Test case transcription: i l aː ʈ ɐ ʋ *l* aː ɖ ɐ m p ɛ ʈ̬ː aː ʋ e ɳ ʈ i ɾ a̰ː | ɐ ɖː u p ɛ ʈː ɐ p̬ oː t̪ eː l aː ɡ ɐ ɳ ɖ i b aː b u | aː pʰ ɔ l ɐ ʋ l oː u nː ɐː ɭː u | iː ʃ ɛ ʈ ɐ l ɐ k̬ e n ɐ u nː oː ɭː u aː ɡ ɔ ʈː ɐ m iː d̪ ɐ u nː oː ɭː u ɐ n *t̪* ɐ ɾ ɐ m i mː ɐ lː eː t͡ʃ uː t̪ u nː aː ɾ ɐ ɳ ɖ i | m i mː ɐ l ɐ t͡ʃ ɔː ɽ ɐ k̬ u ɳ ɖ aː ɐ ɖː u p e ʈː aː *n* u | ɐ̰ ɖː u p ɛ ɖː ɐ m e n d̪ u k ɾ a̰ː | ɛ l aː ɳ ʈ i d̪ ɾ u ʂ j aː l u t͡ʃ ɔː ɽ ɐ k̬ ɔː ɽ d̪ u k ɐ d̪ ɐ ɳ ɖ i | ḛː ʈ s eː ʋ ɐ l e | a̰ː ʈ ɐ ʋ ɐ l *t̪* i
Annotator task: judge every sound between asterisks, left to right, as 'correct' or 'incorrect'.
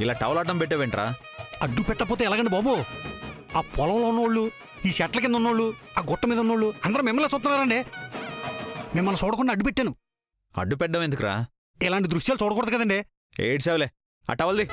correct, incorrect, correct, incorrect

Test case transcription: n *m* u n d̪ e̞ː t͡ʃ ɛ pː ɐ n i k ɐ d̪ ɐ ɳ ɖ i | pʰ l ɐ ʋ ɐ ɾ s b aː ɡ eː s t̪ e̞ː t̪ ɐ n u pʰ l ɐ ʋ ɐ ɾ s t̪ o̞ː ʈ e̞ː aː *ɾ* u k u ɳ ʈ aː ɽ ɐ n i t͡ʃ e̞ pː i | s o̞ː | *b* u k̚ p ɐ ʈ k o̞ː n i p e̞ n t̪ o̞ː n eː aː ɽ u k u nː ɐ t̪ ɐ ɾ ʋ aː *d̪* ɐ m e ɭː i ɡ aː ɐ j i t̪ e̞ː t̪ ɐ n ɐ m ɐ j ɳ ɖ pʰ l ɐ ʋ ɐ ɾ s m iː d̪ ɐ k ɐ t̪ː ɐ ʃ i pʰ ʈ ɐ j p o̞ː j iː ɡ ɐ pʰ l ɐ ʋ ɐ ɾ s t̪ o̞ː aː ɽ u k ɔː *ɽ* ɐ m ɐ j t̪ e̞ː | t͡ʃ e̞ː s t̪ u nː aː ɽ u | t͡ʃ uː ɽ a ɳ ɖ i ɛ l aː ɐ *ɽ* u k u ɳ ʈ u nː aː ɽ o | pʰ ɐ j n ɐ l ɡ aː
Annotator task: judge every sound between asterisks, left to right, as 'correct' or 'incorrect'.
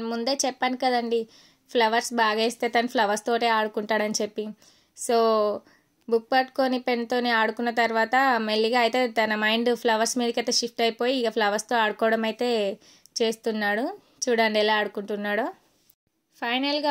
correct, incorrect, correct, incorrect, correct, correct

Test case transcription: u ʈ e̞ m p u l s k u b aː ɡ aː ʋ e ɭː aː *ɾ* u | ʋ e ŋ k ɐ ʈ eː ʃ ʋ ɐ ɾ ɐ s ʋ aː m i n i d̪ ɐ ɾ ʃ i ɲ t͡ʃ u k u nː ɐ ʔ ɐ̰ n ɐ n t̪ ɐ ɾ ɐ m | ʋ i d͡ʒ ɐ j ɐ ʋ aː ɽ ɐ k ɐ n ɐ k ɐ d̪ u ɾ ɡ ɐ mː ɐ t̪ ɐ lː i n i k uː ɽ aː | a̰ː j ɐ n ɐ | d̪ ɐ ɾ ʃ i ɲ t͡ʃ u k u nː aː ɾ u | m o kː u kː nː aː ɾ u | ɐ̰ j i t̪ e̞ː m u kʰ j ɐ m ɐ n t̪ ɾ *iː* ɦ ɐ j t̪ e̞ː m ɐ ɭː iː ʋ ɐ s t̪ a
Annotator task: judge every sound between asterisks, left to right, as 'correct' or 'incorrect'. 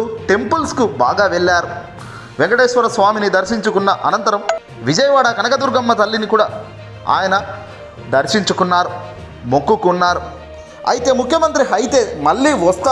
correct, incorrect

